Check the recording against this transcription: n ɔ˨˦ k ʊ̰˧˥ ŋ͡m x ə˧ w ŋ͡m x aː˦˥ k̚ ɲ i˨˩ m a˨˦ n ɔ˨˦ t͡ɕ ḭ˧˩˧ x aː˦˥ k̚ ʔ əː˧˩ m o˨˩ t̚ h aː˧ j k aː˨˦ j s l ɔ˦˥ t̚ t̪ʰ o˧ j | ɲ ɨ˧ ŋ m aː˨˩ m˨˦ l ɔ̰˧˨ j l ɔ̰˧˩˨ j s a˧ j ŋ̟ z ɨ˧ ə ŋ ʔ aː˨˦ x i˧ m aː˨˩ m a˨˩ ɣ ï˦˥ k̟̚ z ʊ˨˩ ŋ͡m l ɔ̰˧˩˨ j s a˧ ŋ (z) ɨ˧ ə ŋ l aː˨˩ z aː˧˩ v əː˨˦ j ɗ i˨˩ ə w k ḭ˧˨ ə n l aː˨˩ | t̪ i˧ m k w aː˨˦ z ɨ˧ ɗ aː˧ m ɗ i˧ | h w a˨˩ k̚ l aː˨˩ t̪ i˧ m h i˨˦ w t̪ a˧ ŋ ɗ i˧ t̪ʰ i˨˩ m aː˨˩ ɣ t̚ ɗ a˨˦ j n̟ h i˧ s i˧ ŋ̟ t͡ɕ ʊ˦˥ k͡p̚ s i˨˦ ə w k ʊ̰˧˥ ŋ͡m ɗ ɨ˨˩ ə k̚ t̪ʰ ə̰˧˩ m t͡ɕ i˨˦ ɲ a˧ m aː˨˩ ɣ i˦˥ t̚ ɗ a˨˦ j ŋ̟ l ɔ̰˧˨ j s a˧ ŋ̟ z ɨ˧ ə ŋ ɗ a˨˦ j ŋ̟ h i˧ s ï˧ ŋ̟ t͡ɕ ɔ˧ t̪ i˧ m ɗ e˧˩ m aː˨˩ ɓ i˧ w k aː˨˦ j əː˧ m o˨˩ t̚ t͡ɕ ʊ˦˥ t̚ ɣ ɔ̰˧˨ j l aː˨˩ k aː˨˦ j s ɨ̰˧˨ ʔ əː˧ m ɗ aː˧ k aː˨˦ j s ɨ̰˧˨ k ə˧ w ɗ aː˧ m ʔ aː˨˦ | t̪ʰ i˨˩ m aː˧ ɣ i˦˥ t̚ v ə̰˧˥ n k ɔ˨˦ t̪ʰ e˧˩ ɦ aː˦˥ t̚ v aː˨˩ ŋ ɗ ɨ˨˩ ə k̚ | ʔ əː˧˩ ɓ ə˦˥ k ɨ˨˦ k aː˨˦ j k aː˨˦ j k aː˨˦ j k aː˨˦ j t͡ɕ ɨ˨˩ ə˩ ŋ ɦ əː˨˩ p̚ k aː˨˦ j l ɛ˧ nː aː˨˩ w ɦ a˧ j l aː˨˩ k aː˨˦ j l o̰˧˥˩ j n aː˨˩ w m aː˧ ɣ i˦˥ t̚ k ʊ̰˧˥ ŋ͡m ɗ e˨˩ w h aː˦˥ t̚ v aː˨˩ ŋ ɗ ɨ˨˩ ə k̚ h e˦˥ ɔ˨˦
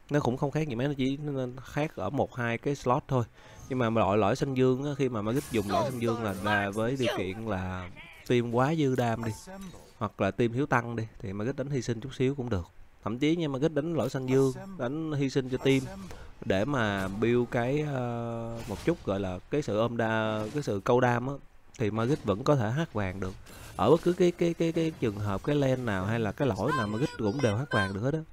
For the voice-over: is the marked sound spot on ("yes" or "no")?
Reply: yes